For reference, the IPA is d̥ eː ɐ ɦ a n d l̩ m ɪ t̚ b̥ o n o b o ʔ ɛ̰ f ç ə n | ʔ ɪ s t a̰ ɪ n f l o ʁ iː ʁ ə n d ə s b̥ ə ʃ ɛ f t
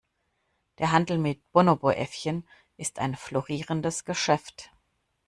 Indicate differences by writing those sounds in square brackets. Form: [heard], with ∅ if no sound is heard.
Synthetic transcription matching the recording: d̥ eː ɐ ɦ a n d l̩ m ɪ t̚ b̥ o n o b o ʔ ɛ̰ f ç ə n | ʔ ɪ s t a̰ ɪ n f l o ʁ iː ʁ ə n d ə s [ɡ̥] ə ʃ ɛ f t